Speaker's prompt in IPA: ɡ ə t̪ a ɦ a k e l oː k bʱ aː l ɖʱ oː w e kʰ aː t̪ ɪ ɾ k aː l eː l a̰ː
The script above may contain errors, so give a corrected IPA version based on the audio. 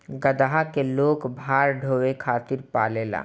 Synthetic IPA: ɡ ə d̪ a ɦ a k e l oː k bʱ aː ɾ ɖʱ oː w e kʰ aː t̪ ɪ ɾ p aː l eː l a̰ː